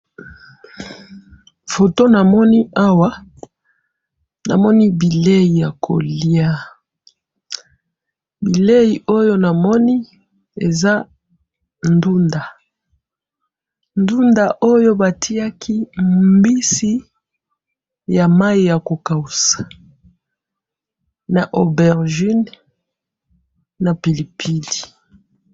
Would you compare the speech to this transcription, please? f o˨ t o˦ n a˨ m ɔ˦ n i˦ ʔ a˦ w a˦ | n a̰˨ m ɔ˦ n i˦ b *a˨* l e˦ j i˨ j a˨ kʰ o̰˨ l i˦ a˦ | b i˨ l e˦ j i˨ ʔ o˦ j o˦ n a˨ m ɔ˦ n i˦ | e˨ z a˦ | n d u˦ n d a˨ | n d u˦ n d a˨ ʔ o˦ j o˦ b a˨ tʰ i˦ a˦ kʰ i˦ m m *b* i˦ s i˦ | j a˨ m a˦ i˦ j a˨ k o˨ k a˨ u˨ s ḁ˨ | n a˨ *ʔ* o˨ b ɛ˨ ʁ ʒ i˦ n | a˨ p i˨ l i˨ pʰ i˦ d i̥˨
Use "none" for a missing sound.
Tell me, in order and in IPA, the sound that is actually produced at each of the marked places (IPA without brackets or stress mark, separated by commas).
i˨, b, ʔ